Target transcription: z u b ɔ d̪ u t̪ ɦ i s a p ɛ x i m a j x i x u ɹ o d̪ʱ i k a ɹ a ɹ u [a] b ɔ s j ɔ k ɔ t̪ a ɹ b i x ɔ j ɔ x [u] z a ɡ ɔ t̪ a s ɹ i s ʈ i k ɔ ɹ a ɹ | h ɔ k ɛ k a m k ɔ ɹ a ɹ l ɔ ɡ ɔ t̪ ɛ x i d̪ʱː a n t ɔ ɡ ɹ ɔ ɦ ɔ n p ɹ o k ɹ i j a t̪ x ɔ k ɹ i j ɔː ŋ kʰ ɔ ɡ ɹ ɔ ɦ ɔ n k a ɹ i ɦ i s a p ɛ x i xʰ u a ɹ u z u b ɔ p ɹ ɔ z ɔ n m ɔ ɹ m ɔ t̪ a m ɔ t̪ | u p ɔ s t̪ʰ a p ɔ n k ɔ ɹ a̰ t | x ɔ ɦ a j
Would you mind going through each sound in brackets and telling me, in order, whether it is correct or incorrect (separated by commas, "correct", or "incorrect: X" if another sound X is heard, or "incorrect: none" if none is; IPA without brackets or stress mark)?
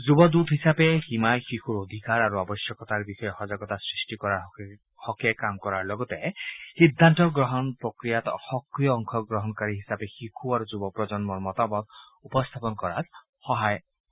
correct, incorrect: ɔ